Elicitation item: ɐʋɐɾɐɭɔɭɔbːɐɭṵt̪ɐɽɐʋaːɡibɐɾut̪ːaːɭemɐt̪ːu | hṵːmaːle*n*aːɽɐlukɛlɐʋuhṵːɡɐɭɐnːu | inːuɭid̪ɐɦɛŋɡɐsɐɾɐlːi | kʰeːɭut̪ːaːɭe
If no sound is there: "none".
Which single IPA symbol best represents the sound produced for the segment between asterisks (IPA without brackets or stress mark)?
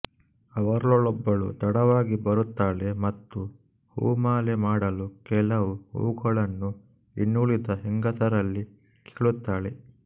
m